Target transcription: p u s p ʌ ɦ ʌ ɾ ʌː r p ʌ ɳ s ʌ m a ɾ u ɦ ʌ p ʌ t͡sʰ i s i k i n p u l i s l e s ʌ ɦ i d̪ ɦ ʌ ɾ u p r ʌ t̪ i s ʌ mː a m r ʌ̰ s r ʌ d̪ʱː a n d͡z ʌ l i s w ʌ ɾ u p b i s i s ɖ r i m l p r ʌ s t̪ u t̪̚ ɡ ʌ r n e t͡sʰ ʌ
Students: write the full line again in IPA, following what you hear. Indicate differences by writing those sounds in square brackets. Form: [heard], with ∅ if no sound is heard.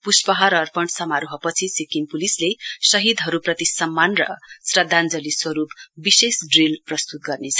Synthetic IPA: p u s p ʌ ɦ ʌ ɾ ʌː r p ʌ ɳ s ʌ m a ɾ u ɦ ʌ p ʌ t͡sʰ i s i k i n p u l i s l e s ʌ ɦ i d̪ ɦ ʌ ɾ u p r ʌ t̪ i s ʌ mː a [n] r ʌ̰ s r ʌ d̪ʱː a n d͡z ʌ l i s w ʌ ɾ u p b i s [e] s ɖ r i [∅] l p r ʌ s t̪ u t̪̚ ɡ ʌ r n e t͡sʰ ʌ